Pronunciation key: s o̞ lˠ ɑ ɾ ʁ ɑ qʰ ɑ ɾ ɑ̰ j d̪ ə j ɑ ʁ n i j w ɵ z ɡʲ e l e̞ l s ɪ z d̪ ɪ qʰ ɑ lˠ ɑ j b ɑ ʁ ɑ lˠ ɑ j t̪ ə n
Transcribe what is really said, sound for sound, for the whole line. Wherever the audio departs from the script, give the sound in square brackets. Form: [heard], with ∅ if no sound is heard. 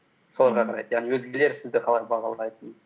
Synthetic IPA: s o̞ lˠ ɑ ɾ ʁ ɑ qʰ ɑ ɾ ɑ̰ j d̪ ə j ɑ ʁ n i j w ɵ z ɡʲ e l e̞ [ɾ] s ɪ z d̪ ɪ qʰ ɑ lˠ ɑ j b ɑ ʁ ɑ lˠ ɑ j t̪ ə n